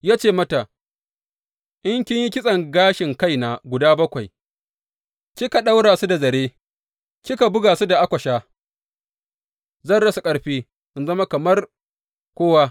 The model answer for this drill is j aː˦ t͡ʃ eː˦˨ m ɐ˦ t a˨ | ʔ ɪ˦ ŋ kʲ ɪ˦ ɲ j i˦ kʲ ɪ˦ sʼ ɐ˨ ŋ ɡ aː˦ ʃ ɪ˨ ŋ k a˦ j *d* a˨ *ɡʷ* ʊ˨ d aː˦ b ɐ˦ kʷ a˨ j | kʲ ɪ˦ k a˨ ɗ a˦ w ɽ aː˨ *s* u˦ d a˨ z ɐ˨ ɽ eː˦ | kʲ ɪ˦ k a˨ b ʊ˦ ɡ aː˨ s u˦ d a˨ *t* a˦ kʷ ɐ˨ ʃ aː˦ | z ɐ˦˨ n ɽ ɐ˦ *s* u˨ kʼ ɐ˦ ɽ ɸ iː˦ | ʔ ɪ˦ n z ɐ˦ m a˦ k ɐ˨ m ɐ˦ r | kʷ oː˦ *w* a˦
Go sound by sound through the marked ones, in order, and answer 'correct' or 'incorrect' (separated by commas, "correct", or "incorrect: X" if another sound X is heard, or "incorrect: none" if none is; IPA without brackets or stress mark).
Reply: incorrect: n, correct, correct, incorrect: ʔ, correct, correct